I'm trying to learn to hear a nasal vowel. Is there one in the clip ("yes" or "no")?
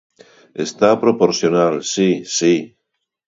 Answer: no